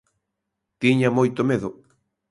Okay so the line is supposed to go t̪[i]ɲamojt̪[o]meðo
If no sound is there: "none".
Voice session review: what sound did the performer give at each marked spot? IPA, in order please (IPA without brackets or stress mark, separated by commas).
i, o